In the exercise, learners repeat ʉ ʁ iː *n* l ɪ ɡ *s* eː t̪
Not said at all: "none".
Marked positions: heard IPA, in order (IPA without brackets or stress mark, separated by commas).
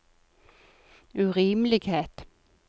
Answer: m, h